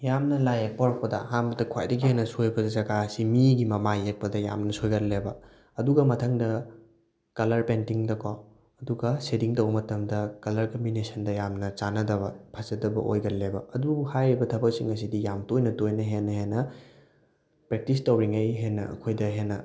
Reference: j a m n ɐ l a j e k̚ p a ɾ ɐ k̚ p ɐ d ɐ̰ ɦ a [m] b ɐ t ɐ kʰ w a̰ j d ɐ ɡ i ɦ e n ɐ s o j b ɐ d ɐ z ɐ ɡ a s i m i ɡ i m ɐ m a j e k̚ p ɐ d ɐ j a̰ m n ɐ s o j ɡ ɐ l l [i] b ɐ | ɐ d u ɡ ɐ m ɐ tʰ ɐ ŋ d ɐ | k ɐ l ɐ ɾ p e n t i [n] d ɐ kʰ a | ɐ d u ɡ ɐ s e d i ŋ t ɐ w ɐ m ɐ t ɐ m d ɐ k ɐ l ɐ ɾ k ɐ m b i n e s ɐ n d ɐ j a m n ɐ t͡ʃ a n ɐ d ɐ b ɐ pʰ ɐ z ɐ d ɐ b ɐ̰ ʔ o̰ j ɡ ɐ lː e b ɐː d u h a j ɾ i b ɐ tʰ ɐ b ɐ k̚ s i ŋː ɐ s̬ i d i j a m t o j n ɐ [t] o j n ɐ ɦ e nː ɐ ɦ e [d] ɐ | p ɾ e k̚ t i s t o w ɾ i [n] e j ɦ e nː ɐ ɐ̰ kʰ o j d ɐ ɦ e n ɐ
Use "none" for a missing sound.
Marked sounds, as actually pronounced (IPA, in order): m, e, ŋ, t, n, ŋ

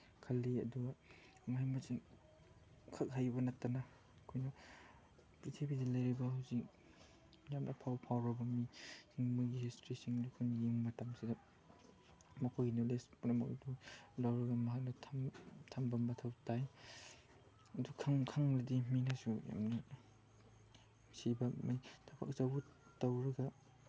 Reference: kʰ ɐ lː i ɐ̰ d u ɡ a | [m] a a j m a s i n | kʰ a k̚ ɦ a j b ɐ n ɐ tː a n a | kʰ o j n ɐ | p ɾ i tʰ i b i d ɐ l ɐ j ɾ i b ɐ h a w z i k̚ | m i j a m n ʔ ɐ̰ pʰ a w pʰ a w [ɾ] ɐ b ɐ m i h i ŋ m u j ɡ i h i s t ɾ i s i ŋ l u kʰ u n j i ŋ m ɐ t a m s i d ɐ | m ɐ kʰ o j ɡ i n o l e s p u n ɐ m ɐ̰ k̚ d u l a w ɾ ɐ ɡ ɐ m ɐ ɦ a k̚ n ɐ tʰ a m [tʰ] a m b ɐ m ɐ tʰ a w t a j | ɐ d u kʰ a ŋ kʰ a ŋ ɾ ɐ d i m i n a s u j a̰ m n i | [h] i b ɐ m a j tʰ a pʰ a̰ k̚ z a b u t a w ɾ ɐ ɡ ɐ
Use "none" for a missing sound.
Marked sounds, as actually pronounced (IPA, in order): m, ɾ, tʰ, s

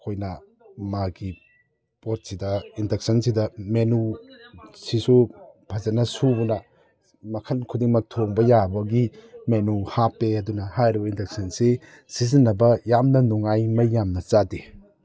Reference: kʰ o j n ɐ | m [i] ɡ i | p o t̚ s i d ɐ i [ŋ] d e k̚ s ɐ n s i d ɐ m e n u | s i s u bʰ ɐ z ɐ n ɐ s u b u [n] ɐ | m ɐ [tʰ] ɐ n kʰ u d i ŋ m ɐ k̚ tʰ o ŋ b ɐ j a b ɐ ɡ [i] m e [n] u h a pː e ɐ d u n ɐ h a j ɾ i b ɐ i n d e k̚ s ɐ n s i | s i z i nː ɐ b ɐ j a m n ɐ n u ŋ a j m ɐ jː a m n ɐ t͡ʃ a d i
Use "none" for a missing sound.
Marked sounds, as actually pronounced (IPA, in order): a, n, n, kʰ, i, n

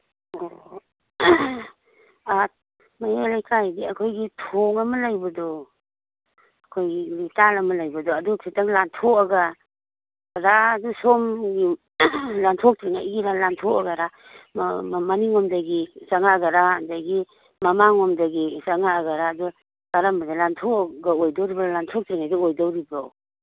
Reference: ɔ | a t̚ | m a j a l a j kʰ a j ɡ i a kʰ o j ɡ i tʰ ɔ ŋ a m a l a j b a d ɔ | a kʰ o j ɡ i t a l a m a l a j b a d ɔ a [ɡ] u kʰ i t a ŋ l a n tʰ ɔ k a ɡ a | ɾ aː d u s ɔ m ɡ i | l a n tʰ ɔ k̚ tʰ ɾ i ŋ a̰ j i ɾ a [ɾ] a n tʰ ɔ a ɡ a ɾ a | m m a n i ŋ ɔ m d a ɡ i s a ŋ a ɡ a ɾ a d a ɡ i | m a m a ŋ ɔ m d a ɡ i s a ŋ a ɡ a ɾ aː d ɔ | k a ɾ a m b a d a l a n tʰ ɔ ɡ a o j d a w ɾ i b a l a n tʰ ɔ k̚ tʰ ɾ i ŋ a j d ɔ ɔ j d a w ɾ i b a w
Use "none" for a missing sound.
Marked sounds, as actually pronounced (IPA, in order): d, l

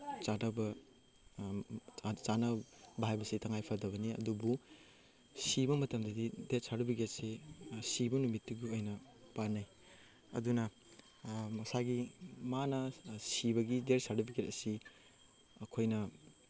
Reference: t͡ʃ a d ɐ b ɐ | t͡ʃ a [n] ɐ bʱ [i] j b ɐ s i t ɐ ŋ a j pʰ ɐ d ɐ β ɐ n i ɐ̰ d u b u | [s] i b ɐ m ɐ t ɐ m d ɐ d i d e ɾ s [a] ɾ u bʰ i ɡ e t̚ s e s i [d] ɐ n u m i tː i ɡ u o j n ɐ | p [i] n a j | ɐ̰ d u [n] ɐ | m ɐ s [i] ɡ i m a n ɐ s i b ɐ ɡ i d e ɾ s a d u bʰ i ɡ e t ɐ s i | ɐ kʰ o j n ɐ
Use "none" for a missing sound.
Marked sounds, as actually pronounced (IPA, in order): n, a, s, a, b, a, n, a

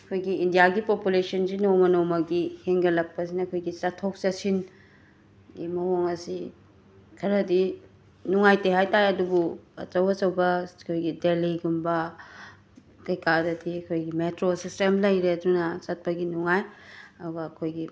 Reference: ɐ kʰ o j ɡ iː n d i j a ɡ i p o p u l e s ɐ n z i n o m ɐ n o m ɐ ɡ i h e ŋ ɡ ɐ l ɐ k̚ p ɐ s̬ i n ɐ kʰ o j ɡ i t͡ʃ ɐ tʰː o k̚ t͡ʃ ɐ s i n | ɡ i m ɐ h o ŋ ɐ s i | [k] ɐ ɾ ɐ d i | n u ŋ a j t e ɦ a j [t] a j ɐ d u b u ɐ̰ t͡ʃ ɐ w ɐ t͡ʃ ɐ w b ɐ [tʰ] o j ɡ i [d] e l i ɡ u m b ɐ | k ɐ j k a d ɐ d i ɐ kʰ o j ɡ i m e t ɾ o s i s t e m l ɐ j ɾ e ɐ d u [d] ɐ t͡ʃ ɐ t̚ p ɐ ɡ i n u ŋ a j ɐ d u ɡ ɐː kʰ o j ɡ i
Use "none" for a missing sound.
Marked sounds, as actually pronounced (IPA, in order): kʰ, t, kʰ, d, n

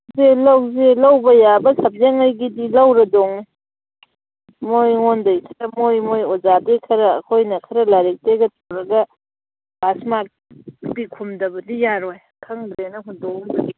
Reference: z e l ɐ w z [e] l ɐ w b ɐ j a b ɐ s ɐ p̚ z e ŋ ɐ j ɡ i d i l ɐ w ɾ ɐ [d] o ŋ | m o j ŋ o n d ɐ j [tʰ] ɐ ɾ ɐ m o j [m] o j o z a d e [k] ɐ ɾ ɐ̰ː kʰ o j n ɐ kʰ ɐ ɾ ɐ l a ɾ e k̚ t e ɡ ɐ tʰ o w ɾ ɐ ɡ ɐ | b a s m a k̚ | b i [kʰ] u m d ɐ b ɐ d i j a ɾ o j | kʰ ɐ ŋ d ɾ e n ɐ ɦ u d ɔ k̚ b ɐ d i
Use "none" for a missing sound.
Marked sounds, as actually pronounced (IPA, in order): e, d, kʰ, m, kʰ, kʰ

